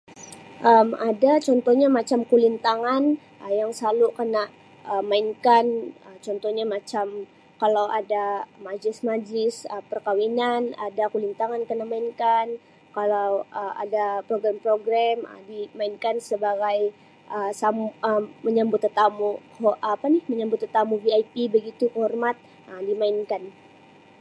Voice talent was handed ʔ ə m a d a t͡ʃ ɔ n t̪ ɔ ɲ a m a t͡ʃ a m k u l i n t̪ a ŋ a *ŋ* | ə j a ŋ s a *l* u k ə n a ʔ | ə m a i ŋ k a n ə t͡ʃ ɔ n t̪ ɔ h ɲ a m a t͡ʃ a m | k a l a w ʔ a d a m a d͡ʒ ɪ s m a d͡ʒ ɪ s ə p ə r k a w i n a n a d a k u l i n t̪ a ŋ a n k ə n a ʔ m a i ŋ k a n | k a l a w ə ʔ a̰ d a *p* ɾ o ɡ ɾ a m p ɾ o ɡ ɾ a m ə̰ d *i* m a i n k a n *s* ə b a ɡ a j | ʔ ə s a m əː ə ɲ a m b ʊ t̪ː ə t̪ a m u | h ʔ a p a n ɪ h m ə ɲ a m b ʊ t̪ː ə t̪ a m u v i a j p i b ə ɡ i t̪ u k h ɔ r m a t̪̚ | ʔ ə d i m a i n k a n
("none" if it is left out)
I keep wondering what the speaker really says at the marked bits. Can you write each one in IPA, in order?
n, l, p, i, s

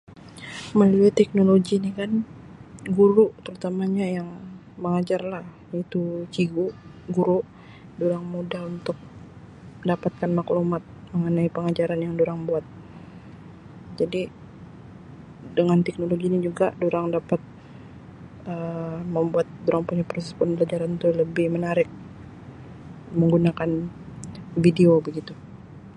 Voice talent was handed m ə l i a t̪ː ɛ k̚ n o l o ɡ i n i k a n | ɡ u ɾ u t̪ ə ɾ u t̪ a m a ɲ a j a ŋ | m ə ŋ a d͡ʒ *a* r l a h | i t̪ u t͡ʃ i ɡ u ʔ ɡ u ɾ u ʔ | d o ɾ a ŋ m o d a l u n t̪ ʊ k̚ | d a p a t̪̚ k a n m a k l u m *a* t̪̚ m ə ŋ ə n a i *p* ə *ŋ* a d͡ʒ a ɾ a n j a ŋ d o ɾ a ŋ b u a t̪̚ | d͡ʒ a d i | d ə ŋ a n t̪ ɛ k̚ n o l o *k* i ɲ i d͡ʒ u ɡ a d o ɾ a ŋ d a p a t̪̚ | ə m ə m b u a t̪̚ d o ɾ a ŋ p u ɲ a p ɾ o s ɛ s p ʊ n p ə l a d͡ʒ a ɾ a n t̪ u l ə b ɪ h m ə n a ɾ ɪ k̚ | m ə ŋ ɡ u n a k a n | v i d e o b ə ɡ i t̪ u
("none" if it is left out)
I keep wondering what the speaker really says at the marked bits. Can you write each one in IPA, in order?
a, a, p, ŋ, ɡ

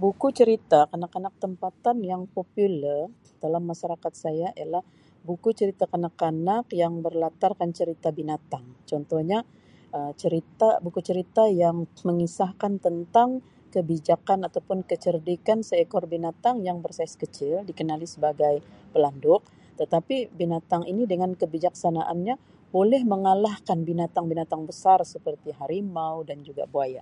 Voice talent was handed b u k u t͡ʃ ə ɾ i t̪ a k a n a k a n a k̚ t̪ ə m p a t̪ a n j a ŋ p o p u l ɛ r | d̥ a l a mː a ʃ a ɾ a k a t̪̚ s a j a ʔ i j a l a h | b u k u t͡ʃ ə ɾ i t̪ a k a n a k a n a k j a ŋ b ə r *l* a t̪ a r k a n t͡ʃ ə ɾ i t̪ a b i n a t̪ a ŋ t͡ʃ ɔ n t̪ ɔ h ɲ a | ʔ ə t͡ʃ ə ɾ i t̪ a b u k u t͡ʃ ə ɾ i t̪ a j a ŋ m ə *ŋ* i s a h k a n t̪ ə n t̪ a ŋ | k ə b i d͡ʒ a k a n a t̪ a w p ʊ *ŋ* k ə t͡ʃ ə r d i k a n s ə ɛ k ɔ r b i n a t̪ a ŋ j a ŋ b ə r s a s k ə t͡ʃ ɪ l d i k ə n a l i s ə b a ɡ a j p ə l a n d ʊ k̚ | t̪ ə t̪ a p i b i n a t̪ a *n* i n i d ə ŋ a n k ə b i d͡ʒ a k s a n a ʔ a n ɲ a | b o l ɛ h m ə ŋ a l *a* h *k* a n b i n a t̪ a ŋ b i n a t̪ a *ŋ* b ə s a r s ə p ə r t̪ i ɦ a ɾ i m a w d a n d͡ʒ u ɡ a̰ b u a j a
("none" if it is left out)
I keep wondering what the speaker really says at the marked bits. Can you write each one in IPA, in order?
l, ŋ, n, ŋ, a, k, ŋ

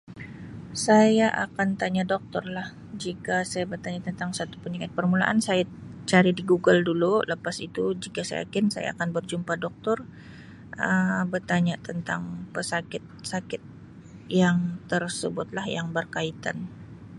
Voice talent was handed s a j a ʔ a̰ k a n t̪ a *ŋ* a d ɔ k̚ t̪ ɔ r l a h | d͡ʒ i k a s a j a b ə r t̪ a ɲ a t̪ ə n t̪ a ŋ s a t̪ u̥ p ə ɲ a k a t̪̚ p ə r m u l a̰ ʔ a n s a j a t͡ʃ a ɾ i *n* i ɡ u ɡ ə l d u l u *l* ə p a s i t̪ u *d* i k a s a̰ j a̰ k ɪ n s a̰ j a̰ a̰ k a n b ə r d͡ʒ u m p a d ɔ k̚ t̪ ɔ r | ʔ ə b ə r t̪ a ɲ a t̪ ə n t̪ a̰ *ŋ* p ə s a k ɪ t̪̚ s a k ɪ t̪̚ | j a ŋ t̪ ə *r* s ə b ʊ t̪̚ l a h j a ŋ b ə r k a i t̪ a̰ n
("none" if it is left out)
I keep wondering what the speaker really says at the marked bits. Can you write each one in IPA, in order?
ɲ, d, l, d͡ʒ, ŋ, r

